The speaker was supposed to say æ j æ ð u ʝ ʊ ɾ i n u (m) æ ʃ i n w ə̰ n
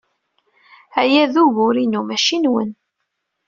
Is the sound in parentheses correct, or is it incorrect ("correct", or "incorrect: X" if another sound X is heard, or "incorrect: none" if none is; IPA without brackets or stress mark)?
correct